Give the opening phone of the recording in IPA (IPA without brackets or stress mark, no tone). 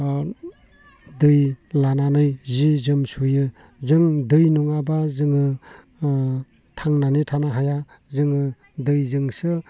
d